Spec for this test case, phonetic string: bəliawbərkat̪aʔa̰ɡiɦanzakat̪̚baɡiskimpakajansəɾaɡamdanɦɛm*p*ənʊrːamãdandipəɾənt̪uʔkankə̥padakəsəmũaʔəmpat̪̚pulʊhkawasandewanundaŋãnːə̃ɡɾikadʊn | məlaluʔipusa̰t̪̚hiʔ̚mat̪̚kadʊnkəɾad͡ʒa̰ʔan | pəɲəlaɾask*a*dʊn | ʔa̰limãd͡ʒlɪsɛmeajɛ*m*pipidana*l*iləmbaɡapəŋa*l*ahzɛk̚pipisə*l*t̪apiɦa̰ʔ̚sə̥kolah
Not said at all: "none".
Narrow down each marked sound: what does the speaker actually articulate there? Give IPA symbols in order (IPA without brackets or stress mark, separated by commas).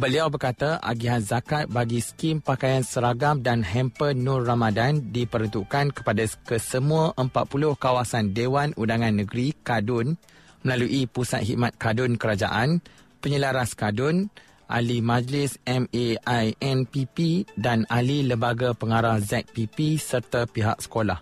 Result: p, a, n, l, ɾ, r